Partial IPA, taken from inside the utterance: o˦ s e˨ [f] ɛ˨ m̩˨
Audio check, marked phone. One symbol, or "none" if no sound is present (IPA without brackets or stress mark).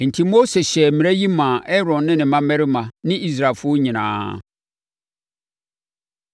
ɕ